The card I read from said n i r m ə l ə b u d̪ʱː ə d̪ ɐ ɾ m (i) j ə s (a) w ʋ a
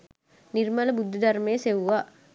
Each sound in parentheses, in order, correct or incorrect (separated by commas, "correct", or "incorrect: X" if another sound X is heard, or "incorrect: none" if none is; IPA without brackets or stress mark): incorrect: e, incorrect: e